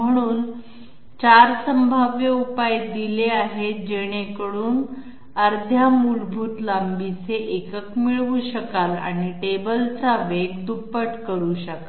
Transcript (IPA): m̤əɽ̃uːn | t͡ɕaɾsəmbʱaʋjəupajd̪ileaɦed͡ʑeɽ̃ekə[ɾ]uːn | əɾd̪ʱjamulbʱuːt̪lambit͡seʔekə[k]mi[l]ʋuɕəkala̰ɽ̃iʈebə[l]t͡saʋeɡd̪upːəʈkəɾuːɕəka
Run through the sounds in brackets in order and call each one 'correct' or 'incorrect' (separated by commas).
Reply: incorrect, correct, incorrect, correct